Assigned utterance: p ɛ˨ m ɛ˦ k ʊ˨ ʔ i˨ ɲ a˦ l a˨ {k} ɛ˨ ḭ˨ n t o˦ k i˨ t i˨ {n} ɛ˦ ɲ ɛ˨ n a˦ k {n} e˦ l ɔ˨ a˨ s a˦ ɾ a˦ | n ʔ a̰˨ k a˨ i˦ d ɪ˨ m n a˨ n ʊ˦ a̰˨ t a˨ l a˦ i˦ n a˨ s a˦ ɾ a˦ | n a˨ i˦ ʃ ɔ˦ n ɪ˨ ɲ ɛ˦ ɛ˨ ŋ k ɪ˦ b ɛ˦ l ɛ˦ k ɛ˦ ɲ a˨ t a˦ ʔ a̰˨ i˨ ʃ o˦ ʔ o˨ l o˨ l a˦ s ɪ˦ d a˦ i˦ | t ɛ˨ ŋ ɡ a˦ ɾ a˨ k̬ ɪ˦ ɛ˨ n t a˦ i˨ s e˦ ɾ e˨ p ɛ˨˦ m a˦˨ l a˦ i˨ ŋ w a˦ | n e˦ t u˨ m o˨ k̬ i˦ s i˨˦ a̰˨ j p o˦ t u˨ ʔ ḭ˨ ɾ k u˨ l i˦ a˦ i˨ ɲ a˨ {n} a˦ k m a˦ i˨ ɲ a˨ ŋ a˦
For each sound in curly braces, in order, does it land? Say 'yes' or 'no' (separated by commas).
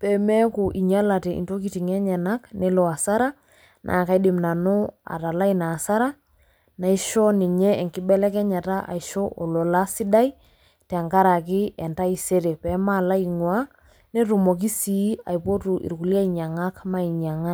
no, no, yes, no